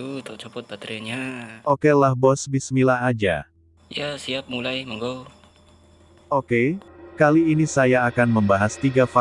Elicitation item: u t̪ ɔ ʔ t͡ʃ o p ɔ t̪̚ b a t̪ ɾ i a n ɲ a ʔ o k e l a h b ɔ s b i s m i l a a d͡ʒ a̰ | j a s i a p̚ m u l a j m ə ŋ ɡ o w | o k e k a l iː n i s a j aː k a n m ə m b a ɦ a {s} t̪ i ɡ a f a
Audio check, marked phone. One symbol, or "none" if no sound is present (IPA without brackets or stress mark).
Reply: s